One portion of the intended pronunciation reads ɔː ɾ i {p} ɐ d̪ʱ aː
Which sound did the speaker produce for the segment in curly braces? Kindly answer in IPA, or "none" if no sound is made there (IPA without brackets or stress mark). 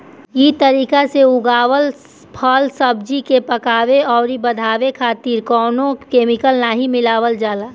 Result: b